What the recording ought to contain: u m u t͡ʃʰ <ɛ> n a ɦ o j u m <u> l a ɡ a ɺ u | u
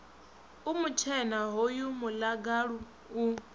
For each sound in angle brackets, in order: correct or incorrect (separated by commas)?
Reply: correct, correct